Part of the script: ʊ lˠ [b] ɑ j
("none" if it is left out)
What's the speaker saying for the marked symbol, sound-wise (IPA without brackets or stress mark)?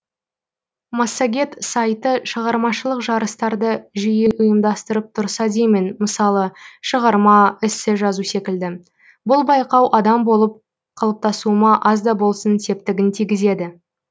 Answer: b